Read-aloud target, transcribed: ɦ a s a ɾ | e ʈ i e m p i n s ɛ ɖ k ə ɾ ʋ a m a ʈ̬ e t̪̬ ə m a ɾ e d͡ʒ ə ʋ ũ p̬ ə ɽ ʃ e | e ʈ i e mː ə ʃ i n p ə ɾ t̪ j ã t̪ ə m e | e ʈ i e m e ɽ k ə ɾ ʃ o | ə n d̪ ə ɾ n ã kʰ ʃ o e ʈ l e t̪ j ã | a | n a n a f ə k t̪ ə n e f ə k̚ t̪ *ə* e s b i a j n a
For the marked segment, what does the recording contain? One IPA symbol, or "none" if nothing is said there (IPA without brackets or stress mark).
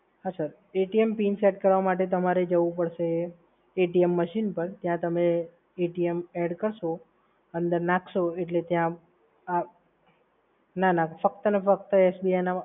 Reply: ə